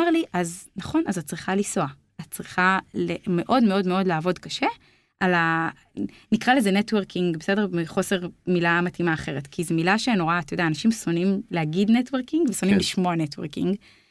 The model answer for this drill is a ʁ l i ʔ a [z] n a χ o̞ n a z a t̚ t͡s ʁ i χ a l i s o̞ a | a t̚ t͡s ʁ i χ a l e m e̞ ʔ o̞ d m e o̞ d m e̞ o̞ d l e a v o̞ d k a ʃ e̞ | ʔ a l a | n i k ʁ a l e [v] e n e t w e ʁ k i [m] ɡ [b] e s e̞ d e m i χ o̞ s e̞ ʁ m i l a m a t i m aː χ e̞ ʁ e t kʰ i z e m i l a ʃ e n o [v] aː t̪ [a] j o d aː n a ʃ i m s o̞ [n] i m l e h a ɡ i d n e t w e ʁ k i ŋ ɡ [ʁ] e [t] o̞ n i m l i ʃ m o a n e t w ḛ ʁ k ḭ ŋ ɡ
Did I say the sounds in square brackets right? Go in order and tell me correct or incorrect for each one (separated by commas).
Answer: correct, incorrect, incorrect, correct, incorrect, correct, correct, incorrect, incorrect